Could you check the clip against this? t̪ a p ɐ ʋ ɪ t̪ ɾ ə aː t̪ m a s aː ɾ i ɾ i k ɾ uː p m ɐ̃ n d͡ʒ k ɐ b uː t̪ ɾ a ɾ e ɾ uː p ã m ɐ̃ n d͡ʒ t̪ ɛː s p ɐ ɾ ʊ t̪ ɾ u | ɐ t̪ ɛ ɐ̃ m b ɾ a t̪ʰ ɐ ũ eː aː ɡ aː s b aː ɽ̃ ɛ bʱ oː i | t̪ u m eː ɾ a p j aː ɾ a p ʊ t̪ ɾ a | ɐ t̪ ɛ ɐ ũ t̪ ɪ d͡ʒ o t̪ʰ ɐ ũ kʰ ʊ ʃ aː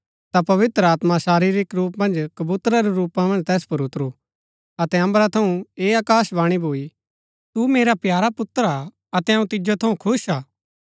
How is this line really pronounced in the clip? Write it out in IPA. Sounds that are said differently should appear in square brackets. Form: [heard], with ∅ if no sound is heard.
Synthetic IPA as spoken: t̪ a p ɐ ʋ ɪ t̪ ɾ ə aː t̪ m a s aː ɾ i ɾ i k ɾ uː p m ɐ̃ n d͡ʒ k ɐ b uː t̪ ɾ a ɾ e ɾ uː p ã m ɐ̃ n d͡ʒ t̪ ɛː s p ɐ ɾ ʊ t̪ ɾ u | ɐ t̪ ɛ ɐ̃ m b ɾ a t̪ʰ ɐ ũ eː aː [k] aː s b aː ɽ̃ [i] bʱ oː i | t̪ u m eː ɾ a p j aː ɾ a p ʊ t̪ ɾ a | ɐ t̪ ɛ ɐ ũ t̪ ɪ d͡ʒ o t̪ʰ ɐ ũ kʰ ʊ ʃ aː